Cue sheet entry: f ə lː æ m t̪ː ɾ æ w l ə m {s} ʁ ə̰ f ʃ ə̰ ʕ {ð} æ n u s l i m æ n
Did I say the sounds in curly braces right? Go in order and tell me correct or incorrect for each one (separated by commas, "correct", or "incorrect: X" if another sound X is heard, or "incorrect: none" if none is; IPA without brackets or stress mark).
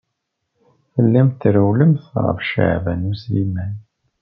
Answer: incorrect: θ, incorrect: v